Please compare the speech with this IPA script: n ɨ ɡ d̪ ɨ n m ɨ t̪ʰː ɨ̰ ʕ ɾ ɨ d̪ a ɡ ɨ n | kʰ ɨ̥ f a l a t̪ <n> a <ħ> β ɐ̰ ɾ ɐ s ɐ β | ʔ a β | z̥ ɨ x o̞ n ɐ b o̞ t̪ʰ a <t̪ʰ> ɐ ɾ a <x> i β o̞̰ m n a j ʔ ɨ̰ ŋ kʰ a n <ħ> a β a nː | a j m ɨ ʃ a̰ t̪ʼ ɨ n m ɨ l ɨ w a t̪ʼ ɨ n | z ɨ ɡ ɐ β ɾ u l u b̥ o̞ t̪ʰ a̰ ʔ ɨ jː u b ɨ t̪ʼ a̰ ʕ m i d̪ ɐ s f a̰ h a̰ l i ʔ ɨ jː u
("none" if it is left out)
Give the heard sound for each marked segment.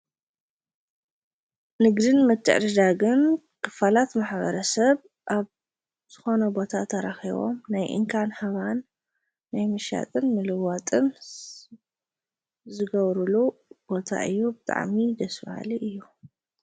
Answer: m, ħ, t̪ʰ, x, h

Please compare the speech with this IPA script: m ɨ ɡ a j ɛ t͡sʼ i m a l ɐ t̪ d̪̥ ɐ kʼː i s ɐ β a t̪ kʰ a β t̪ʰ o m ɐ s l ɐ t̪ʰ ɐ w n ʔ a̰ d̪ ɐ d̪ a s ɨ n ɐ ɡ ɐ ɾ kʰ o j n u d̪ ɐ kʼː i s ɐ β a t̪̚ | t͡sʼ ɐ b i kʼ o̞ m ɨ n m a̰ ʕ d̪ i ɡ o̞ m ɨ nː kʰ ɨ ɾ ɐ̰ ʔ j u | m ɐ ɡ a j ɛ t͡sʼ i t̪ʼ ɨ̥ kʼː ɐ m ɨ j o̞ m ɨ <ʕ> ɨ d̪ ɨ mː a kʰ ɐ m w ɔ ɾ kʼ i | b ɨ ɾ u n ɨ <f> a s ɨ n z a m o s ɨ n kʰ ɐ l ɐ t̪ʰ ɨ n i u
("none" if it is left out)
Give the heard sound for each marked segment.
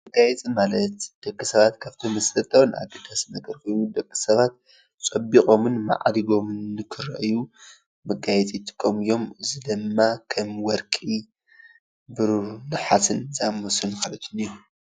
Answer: z, ħ

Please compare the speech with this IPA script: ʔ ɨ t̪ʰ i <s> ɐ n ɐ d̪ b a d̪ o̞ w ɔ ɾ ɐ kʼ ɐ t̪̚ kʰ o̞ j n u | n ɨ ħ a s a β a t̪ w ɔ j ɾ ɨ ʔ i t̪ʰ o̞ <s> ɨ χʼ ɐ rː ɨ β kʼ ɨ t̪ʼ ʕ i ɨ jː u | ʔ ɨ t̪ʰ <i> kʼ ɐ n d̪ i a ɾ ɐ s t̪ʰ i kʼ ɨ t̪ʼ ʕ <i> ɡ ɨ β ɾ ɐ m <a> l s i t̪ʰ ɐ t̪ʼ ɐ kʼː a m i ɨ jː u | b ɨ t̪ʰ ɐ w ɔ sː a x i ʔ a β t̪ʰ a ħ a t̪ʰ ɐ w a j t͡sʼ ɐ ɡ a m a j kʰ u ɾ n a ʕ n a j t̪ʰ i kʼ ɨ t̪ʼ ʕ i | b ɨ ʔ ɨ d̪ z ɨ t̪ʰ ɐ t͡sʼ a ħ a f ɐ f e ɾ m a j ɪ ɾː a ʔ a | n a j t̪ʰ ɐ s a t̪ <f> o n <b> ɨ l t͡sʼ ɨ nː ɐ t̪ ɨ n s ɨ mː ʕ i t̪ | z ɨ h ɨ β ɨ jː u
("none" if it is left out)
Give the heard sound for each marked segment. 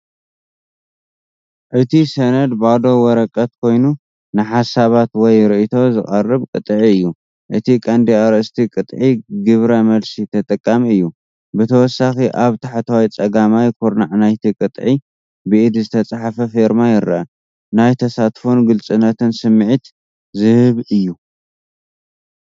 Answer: s, z, i, i, ɐ, f, ɡ

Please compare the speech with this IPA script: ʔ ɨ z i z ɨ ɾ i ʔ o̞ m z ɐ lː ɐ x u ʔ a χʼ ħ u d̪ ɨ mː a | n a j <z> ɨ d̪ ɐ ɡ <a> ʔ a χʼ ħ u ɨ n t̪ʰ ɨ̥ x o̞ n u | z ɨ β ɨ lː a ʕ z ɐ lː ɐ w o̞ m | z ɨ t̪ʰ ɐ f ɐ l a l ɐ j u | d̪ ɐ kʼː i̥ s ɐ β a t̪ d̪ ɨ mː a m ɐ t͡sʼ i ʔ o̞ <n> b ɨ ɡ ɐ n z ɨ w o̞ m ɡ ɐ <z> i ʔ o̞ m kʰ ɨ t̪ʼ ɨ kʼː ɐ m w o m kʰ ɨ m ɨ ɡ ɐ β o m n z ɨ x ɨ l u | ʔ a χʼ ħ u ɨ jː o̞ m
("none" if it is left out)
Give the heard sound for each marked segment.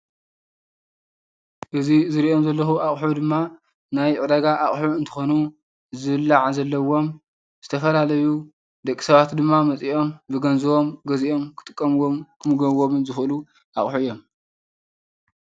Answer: ʕ, a, m, z

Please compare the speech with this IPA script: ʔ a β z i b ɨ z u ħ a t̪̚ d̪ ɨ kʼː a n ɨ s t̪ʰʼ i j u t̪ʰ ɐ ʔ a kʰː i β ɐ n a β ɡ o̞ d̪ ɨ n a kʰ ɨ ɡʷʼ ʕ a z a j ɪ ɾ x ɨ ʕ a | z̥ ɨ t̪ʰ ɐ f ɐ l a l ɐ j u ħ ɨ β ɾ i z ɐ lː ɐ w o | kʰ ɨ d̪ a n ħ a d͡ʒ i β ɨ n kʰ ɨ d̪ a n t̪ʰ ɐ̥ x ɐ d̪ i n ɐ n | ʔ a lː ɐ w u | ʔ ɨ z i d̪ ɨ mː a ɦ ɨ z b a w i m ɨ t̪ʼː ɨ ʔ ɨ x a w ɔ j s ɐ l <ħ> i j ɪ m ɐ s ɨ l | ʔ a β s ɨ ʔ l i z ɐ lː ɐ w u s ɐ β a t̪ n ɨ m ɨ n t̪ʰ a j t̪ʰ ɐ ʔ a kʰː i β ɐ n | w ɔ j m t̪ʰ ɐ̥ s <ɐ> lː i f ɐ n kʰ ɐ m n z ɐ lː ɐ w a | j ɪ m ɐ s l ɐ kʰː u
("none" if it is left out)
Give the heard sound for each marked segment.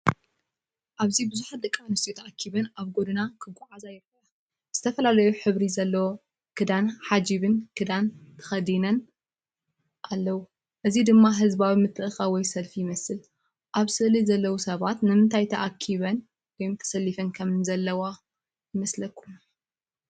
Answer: f, ɐ

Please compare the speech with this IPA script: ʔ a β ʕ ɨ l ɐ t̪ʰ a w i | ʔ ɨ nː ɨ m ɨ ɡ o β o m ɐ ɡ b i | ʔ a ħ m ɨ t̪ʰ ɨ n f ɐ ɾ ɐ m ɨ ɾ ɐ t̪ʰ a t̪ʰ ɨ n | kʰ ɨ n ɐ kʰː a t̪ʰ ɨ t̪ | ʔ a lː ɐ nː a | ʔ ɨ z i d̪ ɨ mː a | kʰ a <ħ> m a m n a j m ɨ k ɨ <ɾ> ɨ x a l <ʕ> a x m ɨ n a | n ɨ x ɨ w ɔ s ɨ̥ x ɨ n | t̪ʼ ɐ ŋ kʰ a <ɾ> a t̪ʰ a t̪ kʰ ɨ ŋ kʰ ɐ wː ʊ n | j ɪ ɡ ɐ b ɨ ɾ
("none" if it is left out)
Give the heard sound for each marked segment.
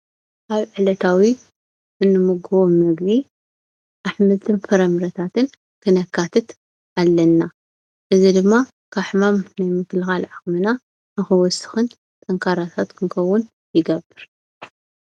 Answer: ħ, l, ʕ, ɾ

